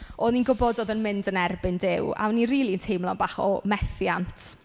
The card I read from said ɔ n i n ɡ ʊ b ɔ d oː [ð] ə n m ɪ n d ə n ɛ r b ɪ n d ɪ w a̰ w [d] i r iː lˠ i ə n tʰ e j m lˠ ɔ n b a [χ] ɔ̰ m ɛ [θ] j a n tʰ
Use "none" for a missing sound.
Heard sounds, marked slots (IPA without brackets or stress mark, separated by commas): ð, n, χ, θ